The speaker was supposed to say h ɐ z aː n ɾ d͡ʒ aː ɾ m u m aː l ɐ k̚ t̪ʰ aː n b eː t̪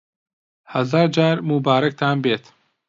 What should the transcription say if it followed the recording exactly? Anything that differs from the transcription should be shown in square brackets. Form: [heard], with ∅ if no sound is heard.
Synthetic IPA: h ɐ z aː [∅] ɾ d͡ʒ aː ɾ m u [b] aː [ɾ] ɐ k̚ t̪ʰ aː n b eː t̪